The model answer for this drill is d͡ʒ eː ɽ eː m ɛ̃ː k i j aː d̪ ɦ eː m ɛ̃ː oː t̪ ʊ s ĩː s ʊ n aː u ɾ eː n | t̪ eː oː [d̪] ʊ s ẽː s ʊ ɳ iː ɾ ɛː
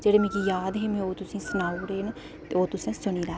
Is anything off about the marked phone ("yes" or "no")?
yes